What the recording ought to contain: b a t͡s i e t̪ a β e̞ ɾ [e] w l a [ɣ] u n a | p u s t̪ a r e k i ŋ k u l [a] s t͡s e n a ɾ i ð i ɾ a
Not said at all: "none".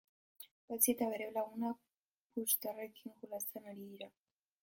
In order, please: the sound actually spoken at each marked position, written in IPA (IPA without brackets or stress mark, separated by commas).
e, ɣ, a